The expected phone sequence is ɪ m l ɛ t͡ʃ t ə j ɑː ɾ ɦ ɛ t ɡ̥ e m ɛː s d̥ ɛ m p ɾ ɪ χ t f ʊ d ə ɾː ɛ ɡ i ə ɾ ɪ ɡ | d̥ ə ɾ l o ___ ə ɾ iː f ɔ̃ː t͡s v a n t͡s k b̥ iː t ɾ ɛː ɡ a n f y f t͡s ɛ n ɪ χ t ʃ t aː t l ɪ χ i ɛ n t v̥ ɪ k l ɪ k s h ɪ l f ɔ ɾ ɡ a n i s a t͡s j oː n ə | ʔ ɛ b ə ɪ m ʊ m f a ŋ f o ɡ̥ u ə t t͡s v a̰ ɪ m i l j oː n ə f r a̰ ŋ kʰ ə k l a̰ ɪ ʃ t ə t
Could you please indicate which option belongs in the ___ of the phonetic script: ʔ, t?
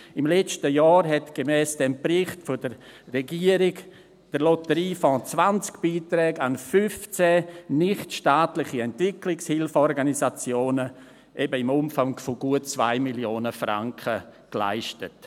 t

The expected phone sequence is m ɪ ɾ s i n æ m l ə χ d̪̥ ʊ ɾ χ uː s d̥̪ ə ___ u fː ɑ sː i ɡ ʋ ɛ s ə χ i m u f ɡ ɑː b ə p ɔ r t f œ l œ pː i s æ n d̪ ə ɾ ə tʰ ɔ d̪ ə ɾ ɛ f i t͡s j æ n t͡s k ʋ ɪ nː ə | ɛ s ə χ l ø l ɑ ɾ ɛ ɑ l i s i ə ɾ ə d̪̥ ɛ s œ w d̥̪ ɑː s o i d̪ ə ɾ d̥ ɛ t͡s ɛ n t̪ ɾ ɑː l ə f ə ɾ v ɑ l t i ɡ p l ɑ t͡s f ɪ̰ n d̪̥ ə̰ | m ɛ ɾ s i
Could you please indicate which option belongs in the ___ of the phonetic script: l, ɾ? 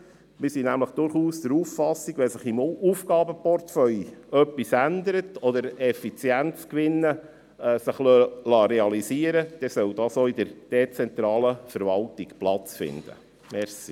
ɾ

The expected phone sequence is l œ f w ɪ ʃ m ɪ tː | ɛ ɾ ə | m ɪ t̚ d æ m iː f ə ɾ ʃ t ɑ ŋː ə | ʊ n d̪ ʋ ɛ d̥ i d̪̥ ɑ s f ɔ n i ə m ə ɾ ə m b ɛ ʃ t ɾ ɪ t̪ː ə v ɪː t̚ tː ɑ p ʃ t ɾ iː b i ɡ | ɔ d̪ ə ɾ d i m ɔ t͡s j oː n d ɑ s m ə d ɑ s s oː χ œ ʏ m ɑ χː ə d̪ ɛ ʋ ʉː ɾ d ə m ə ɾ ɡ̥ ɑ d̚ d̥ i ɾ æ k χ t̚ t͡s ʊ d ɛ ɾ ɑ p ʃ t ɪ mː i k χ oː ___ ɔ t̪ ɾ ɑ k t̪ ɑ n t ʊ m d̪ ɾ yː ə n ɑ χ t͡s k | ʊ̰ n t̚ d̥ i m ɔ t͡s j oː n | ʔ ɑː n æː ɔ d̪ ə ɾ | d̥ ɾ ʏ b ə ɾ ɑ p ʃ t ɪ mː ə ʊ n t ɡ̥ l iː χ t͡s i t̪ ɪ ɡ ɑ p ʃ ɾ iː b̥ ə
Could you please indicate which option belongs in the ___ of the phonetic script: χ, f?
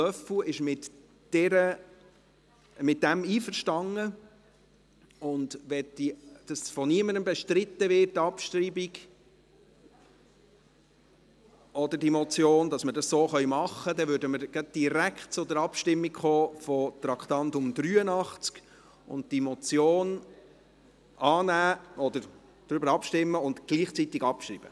f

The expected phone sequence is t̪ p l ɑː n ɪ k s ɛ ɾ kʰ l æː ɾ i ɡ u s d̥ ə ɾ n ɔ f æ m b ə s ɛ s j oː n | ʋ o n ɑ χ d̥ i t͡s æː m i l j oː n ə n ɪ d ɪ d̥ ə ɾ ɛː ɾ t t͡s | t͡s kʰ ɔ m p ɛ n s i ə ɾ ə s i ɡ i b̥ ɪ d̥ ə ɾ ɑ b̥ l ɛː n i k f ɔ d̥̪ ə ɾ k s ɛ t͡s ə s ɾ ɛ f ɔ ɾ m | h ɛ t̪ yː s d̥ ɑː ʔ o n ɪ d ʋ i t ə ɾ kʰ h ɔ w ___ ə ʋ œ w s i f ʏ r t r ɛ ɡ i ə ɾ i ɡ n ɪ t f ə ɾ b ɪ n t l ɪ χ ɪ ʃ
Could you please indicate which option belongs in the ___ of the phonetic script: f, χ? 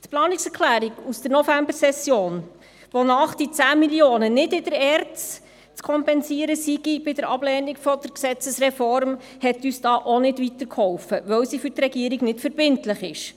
f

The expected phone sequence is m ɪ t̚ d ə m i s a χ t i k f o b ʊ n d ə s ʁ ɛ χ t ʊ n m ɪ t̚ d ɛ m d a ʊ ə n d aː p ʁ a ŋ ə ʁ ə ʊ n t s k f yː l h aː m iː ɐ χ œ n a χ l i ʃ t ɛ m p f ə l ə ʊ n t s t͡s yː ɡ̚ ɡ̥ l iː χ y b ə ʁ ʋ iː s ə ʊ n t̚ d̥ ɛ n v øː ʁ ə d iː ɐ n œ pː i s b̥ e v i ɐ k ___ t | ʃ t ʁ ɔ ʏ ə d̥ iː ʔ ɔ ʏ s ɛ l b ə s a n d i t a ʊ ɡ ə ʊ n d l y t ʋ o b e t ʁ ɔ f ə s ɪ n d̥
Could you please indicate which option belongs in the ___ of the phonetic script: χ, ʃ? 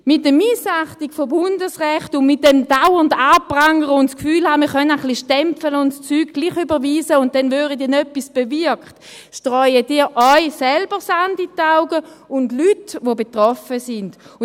χ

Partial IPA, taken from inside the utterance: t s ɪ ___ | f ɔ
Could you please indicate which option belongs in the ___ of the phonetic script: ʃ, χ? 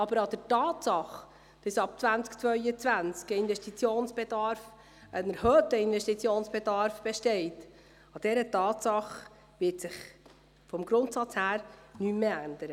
χ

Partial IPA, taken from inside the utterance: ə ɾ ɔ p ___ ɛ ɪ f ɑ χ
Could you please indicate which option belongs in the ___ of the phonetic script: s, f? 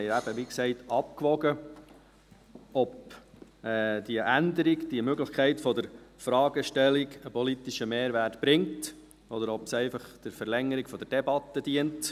s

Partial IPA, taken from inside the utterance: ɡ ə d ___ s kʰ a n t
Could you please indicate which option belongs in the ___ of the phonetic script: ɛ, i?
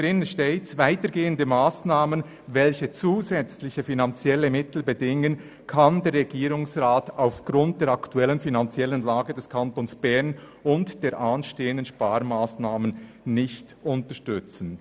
ɛ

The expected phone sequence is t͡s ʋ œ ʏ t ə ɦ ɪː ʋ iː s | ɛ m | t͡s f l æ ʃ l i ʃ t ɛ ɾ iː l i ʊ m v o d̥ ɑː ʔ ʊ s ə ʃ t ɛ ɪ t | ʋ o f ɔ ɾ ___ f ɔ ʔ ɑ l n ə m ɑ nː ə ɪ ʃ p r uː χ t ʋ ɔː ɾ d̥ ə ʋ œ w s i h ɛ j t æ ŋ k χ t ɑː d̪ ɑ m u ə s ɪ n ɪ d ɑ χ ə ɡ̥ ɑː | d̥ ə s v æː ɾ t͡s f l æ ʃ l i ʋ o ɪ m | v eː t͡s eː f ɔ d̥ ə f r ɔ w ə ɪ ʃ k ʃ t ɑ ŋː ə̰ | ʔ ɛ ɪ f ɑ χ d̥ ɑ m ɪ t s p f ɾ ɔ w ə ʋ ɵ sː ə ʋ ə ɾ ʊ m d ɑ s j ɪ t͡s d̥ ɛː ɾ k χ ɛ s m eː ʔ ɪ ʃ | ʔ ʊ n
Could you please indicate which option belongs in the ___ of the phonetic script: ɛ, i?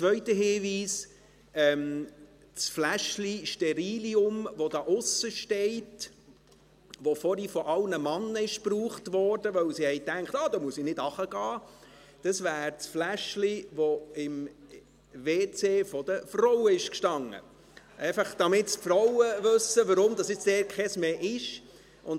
i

